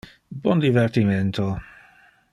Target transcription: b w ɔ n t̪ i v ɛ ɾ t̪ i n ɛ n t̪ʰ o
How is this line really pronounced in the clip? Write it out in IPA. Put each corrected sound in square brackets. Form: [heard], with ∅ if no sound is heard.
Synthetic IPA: b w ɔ n [d̪] i v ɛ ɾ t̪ i [m] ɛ n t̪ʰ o